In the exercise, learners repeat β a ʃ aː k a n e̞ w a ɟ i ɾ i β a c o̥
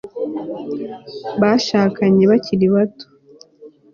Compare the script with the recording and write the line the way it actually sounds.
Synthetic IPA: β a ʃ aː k a ɲ e̞ β a c i ɾ i β a t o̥